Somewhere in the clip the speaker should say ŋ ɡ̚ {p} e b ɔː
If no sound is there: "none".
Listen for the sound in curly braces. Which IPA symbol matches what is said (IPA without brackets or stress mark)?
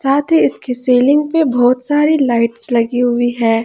p